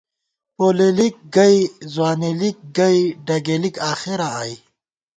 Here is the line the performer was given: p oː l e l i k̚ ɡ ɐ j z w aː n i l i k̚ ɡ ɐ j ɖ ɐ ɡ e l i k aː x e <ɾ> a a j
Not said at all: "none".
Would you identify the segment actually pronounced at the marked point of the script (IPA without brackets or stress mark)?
ɾ